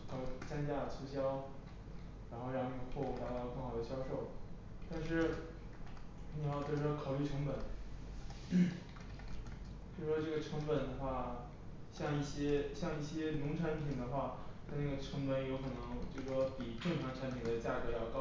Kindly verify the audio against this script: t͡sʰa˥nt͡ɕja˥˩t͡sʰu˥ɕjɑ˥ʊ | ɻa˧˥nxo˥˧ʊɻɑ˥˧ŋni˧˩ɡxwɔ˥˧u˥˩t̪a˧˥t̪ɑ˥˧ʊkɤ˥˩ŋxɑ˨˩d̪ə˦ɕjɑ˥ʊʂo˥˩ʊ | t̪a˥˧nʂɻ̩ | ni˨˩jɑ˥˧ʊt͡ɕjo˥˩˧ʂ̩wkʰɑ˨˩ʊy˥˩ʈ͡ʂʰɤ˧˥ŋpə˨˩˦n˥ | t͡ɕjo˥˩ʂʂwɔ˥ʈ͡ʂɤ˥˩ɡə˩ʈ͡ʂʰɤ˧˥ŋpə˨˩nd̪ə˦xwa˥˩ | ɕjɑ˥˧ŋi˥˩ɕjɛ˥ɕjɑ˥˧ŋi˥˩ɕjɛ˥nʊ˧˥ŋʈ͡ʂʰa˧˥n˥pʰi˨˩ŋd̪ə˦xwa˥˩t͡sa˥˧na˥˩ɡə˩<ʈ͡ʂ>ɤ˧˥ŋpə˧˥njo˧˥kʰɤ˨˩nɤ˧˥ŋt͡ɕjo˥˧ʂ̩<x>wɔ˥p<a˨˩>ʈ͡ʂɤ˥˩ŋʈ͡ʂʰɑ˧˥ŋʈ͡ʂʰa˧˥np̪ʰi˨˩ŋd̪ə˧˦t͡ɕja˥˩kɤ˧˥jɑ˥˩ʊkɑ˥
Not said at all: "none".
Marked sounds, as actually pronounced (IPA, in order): ʈ͡ʂʰ, ʂ, i˨˩

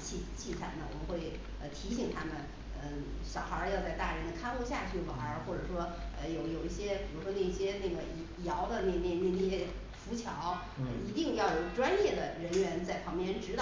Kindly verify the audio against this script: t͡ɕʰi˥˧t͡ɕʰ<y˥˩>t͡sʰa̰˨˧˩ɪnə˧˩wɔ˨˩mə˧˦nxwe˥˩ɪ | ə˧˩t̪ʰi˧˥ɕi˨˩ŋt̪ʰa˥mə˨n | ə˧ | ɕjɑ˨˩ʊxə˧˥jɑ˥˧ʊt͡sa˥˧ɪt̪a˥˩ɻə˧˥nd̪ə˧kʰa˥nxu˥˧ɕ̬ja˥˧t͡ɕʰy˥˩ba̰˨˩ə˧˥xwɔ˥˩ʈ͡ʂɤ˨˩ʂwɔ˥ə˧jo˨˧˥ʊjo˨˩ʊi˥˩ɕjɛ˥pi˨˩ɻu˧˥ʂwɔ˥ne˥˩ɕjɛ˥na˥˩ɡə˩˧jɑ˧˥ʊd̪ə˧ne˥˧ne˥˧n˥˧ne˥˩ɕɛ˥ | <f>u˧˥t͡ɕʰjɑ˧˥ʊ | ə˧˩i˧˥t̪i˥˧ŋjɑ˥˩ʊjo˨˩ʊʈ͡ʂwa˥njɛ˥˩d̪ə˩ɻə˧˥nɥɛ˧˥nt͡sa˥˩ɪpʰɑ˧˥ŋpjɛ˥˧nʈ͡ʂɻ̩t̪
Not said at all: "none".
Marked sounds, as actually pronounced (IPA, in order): i˥˩, f

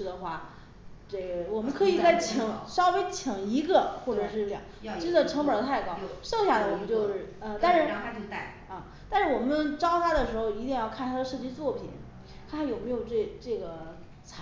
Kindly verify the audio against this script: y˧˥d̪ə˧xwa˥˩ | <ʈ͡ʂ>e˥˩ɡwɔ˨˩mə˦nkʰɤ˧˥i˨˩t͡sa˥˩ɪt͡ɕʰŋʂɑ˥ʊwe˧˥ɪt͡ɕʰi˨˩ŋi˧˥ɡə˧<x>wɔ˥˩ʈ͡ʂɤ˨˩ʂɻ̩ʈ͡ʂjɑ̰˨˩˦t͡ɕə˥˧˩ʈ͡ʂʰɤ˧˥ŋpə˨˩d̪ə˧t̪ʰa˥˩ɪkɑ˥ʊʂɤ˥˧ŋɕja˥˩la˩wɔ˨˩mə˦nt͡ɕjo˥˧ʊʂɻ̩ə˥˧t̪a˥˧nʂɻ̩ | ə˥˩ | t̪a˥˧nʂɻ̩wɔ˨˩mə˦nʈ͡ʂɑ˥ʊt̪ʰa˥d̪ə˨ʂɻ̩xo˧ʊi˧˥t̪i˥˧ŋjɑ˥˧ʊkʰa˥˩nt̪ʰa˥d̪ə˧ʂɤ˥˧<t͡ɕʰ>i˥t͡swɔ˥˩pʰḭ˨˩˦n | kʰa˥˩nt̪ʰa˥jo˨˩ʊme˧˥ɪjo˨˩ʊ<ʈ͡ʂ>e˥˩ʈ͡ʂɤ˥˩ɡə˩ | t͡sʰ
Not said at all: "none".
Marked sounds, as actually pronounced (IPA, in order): ʈ͡ʂ, x, t͡ɕ, ʈ͡ʂ

